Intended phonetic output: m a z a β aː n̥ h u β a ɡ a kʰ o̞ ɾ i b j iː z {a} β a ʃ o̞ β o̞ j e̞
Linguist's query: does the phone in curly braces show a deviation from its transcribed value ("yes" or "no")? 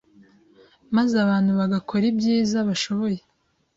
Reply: no